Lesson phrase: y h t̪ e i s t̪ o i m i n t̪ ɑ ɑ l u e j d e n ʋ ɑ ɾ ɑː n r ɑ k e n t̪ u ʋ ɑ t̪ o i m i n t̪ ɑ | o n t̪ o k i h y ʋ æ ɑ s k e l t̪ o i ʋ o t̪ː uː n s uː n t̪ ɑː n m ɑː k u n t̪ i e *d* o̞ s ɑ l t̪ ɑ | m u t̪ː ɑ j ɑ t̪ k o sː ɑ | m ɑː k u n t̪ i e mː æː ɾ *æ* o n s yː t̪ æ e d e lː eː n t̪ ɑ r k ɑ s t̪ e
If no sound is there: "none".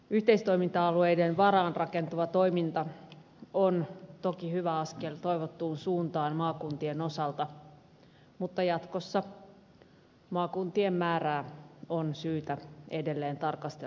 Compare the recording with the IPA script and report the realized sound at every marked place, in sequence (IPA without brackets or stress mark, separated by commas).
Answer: n, æː